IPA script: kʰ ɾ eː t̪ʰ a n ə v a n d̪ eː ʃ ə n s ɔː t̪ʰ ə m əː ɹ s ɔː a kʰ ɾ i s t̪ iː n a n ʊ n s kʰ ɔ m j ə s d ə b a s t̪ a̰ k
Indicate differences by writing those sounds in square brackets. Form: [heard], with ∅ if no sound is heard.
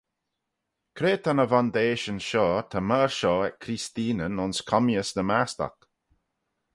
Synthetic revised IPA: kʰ ɾ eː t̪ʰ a n ə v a n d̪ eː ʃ ə n [ʃ] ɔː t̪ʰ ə m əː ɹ [ʃ] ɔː [ɛ] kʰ ɾ i s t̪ iː n [ə] n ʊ n s kʰ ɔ m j ə s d ə [m] a s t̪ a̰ k